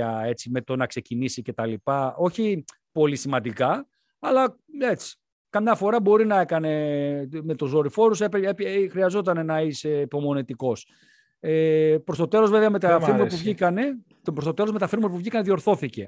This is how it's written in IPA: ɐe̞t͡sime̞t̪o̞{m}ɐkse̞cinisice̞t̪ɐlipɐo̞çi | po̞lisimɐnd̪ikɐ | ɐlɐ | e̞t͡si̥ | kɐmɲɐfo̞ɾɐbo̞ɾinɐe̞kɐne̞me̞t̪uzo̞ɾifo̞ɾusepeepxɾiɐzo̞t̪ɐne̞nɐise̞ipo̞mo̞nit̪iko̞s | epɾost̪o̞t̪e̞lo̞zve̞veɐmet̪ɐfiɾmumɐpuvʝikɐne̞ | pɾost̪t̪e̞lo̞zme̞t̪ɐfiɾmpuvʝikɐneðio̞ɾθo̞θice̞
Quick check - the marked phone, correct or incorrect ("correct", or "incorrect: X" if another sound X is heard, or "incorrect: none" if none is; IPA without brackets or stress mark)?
incorrect: n